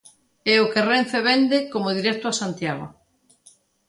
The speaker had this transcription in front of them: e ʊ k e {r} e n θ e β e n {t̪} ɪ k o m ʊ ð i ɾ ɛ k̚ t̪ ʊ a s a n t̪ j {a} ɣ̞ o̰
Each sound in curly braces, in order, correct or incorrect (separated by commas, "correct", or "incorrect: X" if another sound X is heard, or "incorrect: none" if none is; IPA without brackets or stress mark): correct, incorrect: d̪, correct